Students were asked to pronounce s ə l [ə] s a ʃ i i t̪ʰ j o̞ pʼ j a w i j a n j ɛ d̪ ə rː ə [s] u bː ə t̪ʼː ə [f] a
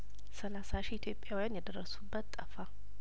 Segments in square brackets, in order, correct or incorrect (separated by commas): incorrect, correct, correct